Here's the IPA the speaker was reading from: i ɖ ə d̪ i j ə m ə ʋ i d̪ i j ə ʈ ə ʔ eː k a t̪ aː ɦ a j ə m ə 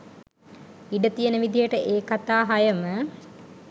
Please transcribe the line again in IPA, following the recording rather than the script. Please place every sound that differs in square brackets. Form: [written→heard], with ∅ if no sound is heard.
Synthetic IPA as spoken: i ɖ ə [d̪→t̪] i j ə [m→n] ə ʋ i d̪ i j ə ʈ ə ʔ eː k a t̪ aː ɦ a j ə m ə